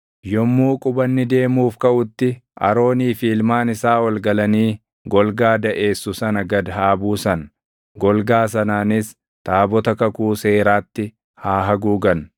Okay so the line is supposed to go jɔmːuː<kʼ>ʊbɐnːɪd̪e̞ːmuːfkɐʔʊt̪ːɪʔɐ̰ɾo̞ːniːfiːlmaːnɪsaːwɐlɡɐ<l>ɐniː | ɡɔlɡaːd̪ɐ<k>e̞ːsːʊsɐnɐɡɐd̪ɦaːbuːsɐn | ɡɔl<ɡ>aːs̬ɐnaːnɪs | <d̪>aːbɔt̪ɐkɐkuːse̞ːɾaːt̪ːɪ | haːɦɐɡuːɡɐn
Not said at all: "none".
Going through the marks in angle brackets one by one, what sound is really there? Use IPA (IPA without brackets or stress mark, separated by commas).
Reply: kʼ, l, ʔ, ɡ, t̪